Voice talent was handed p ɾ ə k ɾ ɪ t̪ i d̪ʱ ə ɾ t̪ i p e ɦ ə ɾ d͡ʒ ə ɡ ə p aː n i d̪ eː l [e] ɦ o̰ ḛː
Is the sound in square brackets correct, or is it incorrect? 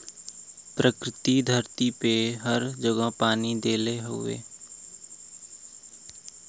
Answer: correct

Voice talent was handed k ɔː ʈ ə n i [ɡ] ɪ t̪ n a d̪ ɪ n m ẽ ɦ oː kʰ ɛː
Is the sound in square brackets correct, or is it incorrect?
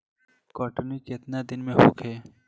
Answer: incorrect: k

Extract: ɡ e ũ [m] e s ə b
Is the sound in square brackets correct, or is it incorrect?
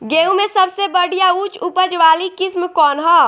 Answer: correct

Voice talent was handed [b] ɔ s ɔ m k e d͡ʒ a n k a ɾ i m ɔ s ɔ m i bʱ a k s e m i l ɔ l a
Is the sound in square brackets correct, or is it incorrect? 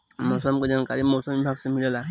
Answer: incorrect: m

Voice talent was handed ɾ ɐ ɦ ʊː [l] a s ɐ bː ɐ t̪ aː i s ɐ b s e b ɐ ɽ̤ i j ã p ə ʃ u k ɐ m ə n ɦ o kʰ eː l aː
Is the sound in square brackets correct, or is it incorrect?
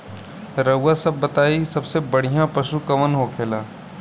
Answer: incorrect: none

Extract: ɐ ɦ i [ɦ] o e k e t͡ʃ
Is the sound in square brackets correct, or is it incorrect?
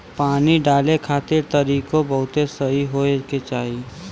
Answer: correct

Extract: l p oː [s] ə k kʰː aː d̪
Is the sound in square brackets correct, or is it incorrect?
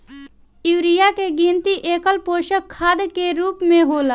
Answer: incorrect: ʃ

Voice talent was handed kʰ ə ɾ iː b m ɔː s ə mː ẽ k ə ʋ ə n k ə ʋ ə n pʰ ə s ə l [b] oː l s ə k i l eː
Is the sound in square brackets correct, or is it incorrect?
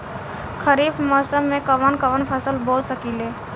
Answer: correct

